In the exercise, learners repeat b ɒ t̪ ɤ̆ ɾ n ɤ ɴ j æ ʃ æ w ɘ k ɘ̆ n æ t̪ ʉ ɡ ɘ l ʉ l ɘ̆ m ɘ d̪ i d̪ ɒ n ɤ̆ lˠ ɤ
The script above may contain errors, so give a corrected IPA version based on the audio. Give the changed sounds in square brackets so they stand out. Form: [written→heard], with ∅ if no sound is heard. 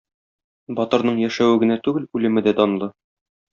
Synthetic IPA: b ɒ t̪ ɤ̆ ɾ n ɤ ɴ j æ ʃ æ w ɘ [k→ɡ] ɘ̆ n æ t̪ ʉ ɡ ɘ l ʉ l ɘ̆ m ɘ d̪ [i→æ] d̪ ɒ n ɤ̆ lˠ ɤ